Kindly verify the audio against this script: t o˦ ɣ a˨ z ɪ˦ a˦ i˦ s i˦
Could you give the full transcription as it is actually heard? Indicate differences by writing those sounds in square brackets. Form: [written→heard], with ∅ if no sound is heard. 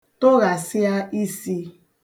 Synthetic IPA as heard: t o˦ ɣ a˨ [z→s] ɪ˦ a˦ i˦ s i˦